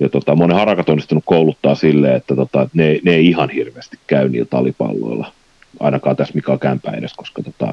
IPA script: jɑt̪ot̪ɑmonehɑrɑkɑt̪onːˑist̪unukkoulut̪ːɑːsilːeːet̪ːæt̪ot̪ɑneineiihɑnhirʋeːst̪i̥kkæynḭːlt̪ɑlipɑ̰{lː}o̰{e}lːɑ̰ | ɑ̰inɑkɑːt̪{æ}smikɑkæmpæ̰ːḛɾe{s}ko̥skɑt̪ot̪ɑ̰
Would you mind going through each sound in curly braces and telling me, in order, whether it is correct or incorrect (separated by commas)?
correct, incorrect, correct, correct